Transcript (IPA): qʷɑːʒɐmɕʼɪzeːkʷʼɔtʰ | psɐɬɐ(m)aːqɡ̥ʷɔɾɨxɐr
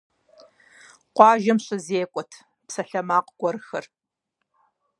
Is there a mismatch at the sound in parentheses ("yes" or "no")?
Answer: no